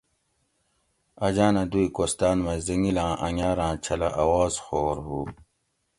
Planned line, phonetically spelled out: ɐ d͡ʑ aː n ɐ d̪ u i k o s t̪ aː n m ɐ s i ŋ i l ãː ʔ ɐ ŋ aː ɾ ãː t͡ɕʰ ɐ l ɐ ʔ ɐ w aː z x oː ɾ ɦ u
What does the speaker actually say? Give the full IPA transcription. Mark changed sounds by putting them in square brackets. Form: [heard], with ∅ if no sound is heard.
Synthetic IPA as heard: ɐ d͡ʑ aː n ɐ d̪ u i k o s t̪ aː n m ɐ [z] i ŋ i l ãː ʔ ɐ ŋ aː ɾ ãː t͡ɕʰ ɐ l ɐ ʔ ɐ w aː z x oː ɾ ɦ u